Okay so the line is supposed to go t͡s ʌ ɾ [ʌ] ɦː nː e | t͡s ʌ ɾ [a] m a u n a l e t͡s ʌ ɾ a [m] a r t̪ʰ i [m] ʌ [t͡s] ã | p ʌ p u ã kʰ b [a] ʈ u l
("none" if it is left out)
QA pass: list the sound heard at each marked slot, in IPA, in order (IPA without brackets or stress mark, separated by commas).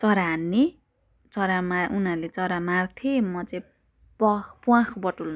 a, a, m, m, t͡s, ʌ